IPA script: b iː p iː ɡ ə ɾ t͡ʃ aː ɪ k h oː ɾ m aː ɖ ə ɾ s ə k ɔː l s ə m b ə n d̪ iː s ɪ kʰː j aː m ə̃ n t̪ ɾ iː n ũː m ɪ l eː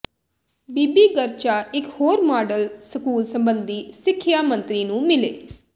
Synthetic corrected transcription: b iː b iː ɡ ə ɾ t͡ʃ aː ɪ k h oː ɾ m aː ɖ ə l s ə k uː l s ə m b ə n d̪ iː s ɪ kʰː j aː m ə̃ n t̪ ɾ iː n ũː m ɪ l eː